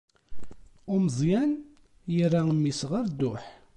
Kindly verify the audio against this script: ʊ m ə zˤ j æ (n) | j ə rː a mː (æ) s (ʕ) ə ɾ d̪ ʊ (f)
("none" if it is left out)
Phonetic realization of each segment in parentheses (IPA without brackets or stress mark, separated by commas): n, i, ʁ, ħ